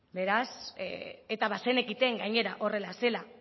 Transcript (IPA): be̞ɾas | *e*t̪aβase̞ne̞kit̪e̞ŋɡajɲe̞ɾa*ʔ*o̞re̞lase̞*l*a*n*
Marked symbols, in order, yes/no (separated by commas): yes, yes, yes, no